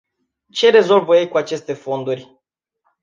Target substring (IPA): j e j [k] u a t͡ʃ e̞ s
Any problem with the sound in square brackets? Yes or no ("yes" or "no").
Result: no